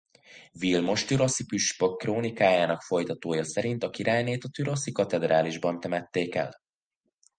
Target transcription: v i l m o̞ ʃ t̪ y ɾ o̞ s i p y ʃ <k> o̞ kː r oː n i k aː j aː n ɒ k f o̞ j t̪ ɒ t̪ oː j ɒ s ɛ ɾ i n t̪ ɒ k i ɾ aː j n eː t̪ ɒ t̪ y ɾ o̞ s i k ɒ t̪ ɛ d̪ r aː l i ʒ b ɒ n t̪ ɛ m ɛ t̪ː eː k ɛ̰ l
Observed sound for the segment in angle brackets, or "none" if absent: p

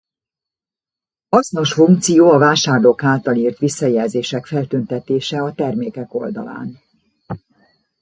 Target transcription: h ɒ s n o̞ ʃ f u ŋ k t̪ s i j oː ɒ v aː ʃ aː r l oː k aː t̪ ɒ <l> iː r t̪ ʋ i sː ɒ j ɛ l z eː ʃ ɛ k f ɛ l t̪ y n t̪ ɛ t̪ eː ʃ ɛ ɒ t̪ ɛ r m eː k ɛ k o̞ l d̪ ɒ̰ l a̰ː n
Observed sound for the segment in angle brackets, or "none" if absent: l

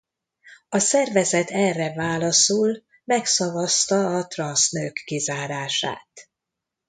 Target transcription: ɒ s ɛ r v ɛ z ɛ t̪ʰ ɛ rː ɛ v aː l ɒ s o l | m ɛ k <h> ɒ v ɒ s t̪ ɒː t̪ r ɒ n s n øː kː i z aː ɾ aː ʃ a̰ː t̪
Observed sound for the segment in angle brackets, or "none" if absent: s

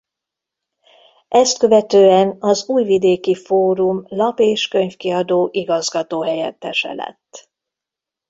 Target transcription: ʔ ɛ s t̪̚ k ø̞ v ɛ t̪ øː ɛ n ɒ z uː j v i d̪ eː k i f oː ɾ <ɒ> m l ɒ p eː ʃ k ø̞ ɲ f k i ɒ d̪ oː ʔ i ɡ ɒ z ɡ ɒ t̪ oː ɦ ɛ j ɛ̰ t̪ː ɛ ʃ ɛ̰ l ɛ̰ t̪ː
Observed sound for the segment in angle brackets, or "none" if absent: u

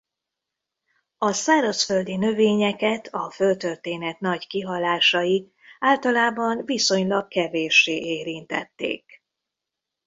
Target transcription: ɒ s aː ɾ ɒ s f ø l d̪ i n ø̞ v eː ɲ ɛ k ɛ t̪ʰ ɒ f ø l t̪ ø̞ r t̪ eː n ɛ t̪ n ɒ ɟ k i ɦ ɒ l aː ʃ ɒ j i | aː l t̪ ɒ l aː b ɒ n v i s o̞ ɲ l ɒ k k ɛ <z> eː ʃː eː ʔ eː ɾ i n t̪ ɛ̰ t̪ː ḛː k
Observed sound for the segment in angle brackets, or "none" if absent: v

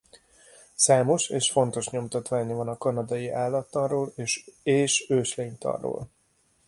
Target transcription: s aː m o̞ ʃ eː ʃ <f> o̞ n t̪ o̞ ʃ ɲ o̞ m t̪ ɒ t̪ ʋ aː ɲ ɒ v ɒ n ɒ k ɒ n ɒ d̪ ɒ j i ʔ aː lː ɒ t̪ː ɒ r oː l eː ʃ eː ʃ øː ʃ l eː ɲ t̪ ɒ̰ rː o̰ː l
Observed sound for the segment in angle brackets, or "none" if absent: f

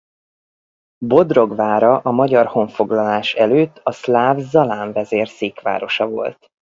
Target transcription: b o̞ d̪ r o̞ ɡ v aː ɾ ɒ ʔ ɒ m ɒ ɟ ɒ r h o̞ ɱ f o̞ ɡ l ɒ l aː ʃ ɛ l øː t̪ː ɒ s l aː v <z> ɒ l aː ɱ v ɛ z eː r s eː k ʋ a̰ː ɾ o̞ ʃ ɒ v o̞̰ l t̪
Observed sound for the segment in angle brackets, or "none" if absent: z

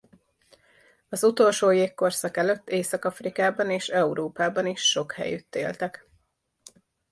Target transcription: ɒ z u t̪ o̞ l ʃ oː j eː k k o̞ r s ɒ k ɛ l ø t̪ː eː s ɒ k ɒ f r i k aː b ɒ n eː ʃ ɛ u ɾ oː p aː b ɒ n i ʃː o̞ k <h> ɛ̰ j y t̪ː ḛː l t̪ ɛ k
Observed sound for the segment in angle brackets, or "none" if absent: h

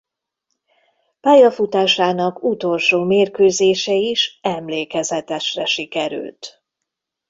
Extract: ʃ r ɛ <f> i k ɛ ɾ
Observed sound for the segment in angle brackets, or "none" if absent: ʃ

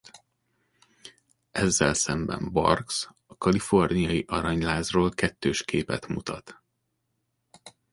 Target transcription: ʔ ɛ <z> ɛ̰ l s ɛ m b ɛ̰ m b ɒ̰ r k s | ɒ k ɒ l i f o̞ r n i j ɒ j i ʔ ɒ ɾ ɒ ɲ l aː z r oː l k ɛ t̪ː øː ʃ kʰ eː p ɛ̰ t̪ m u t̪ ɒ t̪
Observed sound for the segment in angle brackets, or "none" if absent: zː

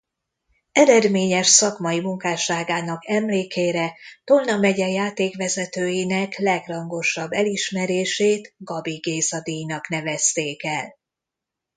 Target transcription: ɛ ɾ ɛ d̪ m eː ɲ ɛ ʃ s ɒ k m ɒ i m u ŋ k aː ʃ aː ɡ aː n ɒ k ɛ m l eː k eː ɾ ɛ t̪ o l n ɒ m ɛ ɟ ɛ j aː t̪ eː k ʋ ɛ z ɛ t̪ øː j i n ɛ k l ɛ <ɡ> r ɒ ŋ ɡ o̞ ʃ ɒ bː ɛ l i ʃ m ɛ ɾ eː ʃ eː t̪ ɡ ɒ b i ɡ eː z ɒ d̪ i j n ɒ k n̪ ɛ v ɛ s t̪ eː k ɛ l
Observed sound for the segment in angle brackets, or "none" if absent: ɡ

